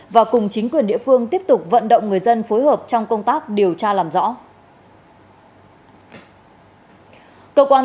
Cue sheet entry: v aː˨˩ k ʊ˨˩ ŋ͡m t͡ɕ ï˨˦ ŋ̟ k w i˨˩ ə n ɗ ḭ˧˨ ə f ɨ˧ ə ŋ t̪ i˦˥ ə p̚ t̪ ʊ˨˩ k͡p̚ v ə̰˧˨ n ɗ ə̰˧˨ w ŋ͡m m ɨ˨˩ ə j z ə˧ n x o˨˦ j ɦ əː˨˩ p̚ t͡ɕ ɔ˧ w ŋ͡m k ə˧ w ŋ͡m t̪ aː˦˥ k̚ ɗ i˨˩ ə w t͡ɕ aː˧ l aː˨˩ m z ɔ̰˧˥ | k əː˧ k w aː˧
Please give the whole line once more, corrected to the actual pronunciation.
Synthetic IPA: v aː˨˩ k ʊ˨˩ ŋ͡m t͡ɕ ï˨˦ ŋ̟ k w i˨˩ ə n ɗ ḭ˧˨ ə f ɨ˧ ə ŋ t̪ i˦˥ ə p̚ t̪ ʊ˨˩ k͡p̚ v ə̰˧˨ n ɗ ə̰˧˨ w ŋ͡m ŋ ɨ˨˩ ə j z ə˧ n f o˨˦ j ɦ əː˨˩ p̚ t͡ɕ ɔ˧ w ŋ͡m k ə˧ w ŋ͡m t̪ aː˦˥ k̚ ɗ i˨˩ ə w t͡ɕ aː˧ l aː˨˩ m z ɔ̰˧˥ | k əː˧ k w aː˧